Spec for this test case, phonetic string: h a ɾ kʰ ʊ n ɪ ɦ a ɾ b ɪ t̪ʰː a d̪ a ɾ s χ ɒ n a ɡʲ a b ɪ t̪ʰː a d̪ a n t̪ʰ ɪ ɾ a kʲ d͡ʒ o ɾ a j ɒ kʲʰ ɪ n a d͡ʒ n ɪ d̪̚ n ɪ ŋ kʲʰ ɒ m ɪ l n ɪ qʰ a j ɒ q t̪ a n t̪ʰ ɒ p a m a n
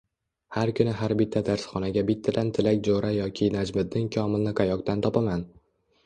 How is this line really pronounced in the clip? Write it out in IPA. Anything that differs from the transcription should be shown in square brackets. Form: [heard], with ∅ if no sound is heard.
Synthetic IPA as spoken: h a ɾ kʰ ʊ n ɪ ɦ a ɾ b ɪ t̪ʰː a d̪ a ɾ s χ ɒ n a ɡʲ a b ɪ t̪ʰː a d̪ a n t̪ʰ ɪ [l] a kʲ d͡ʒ o ɾ a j ɒ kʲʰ ɪ n a d͡ʒ [m] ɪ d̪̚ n ɪ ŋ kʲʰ ɒ m ɪ l n ɪ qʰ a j ɒ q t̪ a n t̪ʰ ɒ p a m a n